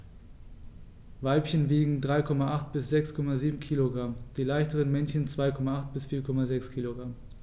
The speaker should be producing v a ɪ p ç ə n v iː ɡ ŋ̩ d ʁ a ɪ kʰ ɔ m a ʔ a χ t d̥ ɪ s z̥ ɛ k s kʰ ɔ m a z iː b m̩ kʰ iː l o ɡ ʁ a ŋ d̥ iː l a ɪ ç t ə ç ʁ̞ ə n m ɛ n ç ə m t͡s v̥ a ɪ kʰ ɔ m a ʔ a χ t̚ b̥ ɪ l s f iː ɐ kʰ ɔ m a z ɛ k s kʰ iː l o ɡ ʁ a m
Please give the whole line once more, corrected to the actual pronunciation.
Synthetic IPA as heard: v a ɪ p ç ə n v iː ɡ ŋ̩ d ʁ a ɪ kʰ ɔ m a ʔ a χ t b̥ ɪ s z̥ ɛ k s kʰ ɔ m a z iː b m̩ kʰ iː l o ɡ ʁ a m d̥ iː l a ɪ ç t ə ʁ̞ ə n m ɛ n ç ə n t͡s v̥ a ɪ kʰ ɔ m a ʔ a χ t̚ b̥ ɪ s f iː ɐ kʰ ɔ m a z ɛ k s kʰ iː l o ɡ ʁ a m